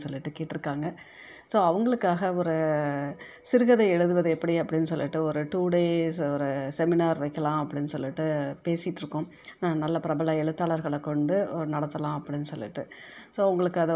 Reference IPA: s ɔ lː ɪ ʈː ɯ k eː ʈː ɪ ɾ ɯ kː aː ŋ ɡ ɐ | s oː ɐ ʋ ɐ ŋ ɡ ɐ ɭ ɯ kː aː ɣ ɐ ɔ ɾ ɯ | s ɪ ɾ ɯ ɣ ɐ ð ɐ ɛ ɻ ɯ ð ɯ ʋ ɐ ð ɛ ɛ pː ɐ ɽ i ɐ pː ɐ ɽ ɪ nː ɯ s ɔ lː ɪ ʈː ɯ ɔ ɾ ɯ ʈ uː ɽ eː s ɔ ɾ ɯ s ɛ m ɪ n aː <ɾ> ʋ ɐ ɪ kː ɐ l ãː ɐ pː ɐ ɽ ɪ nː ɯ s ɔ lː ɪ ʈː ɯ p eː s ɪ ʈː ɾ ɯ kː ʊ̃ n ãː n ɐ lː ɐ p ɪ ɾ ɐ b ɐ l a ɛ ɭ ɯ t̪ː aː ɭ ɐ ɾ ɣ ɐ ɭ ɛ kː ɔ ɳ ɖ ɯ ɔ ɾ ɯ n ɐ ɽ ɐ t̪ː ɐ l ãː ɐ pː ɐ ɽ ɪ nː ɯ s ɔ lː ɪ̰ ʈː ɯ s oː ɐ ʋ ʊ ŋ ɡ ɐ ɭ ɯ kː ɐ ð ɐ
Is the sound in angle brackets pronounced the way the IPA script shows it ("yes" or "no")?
yes